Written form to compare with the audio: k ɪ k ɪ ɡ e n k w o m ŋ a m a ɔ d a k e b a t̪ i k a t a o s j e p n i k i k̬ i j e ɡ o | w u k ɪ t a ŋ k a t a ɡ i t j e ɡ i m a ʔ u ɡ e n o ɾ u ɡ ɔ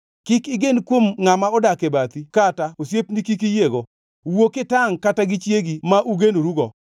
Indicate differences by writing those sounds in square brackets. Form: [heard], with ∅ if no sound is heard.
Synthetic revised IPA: k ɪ k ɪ ɡ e n k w o m ŋ a m a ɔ d a k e b a t̪ i k a t a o s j e p n i k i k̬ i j e ɡ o | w [o] k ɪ t a ŋ k a t a ɡ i [t͡ʃ] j e ɡ i m a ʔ u ɡ e n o ɾ u ɡ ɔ